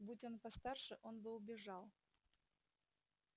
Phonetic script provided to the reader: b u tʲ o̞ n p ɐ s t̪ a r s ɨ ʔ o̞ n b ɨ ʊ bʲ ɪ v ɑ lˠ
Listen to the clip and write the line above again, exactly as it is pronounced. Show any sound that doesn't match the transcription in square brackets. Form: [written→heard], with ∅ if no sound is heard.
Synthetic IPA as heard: b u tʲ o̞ n p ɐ s t̪ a r [s→ʂ] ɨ ʔ o̞ n b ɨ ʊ bʲ ɪ [v→ʐ] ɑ lˠ